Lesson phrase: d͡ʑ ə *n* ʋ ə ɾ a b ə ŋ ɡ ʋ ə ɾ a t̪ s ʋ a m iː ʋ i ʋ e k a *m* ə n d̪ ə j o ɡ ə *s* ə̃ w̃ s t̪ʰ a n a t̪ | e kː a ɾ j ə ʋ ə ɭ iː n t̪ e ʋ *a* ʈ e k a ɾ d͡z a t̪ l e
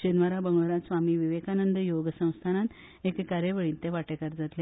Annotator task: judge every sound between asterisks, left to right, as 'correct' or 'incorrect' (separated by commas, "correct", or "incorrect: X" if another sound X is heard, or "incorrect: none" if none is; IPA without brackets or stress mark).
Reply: correct, incorrect: n, correct, correct